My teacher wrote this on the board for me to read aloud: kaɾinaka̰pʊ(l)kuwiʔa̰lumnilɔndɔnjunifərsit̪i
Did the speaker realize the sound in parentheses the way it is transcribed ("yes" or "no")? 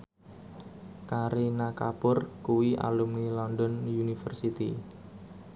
no